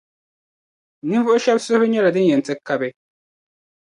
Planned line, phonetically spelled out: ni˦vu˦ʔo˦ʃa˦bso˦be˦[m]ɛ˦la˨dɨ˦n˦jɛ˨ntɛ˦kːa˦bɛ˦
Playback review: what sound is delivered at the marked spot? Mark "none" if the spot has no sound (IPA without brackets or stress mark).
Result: ɲ